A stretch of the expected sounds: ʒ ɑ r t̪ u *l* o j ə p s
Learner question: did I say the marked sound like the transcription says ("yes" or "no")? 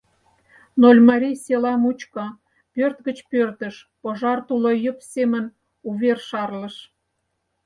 yes